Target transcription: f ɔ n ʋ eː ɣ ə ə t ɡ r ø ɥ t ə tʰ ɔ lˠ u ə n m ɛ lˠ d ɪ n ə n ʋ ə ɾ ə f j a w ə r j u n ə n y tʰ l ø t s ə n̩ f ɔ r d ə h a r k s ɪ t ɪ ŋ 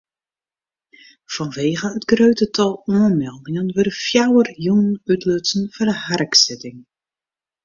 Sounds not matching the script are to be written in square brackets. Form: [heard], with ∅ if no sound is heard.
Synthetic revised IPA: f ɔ n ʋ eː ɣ ə ə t ɡ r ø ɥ t ə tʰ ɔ lˠ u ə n m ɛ lˠ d ɪ [ŋ] ə n ʋ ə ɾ ə f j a w ə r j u n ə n y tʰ l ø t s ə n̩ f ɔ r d ə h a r k s ɪ t ɪ ŋ